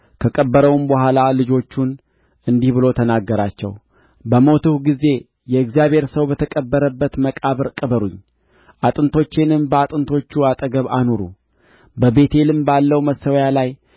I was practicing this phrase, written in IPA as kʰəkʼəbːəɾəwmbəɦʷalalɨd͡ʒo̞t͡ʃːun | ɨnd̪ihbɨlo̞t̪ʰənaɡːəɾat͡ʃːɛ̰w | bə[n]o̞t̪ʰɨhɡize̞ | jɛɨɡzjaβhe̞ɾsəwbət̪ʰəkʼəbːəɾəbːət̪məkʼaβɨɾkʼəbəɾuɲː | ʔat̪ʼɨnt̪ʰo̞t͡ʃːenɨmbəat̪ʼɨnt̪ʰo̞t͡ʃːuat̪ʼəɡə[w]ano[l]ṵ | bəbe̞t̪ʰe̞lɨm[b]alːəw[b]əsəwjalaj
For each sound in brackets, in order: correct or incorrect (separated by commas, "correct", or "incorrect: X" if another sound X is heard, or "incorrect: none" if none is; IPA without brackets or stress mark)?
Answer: incorrect: m, incorrect: β, incorrect: ɾ, correct, incorrect: m